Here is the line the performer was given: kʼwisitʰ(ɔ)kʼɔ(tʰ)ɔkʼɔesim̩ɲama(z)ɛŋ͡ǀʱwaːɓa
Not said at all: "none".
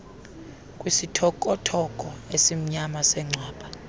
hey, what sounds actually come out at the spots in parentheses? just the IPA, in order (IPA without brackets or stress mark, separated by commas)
ɔ, tʰ, s